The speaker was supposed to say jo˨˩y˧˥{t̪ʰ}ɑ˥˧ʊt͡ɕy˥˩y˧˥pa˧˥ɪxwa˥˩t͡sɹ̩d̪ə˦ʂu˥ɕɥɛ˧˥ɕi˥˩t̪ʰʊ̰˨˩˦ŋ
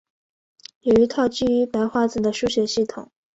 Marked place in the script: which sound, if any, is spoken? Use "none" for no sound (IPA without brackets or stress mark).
t̪ʰ